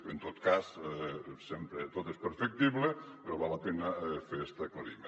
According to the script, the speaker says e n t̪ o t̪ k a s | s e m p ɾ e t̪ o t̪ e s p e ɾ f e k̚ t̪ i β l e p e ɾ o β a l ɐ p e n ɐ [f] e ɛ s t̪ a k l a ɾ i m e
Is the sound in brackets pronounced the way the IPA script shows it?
yes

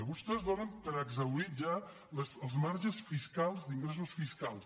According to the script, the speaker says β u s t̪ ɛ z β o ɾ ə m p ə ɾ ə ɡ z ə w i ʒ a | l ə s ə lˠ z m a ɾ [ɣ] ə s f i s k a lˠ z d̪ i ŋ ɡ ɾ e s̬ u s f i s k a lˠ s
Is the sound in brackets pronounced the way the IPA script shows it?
no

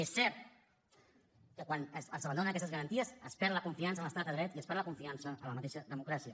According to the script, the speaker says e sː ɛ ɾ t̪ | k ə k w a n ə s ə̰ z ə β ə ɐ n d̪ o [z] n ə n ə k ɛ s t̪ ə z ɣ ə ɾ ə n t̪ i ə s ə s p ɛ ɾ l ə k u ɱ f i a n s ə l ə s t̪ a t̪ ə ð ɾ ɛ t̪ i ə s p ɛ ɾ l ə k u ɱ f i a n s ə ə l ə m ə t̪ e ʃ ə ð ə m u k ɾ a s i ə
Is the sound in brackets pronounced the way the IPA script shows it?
no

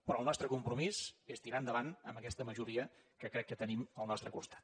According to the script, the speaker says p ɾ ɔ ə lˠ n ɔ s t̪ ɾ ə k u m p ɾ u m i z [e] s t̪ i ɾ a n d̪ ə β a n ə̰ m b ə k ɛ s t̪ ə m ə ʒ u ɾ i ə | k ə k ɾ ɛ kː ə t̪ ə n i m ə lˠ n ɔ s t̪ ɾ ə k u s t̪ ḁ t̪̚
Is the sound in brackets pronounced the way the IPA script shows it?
yes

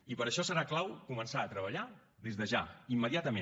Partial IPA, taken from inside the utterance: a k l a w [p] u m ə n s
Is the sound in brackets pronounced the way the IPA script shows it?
no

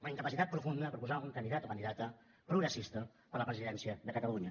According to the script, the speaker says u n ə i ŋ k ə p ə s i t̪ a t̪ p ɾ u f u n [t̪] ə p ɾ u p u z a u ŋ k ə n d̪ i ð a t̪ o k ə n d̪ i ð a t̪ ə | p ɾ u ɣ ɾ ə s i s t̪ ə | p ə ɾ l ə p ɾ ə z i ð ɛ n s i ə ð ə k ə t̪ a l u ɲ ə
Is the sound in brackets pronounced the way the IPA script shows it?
no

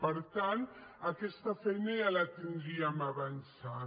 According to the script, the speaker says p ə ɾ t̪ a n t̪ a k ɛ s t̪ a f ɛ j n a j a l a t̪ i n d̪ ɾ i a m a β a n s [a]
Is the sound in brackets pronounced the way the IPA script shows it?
yes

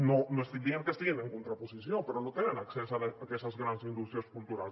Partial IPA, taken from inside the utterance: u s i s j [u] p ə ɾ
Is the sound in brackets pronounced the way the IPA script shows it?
no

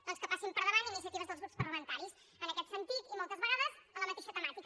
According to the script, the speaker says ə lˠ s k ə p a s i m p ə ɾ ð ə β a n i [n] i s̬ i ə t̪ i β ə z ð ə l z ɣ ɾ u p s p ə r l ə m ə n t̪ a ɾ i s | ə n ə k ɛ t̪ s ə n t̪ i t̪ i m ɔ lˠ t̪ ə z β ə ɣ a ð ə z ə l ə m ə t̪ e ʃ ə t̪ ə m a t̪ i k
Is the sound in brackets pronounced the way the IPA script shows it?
yes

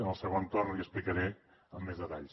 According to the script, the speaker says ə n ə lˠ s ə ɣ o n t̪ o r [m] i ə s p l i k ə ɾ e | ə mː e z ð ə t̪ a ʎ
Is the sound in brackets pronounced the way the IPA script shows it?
no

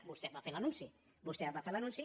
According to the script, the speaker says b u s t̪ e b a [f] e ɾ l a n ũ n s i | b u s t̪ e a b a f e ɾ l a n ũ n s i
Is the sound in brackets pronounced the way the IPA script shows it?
yes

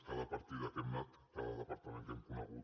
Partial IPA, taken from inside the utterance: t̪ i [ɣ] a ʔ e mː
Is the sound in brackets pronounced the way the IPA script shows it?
no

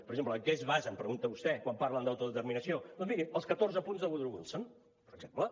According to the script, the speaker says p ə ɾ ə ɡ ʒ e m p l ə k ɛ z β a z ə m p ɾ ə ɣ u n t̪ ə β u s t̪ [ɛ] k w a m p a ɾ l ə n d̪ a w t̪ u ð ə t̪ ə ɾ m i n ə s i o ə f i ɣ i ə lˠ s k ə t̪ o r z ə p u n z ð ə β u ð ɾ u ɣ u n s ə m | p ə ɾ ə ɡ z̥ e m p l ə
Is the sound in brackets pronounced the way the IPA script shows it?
yes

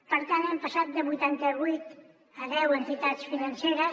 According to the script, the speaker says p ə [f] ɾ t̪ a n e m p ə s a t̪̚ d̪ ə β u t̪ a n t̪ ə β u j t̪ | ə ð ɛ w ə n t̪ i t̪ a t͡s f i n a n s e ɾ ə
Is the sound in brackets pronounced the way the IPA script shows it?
no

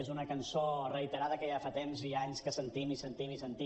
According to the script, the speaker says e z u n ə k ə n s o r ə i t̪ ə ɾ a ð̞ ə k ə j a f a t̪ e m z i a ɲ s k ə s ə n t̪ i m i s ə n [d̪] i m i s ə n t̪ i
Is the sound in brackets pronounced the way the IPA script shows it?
no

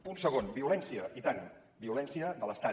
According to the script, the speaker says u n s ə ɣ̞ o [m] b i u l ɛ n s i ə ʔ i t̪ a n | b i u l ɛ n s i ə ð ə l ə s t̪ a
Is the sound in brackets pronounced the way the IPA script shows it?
no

